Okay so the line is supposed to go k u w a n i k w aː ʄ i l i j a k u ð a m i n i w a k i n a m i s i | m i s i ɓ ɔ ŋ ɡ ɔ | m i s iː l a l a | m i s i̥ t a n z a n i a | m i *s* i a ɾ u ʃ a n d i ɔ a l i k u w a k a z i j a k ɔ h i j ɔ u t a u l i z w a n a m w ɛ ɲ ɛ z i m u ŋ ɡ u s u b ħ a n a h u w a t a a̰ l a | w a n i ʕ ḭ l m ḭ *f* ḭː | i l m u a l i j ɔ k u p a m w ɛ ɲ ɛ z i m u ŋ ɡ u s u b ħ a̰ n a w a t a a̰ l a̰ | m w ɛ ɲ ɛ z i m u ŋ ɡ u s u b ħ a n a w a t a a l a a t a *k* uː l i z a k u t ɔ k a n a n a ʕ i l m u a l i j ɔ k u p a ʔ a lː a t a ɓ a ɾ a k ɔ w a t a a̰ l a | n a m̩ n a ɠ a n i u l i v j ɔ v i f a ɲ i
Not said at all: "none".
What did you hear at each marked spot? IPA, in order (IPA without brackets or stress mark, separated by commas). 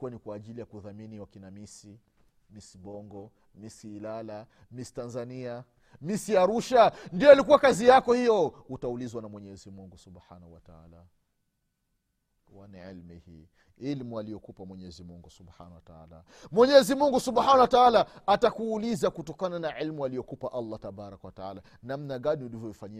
s, h, k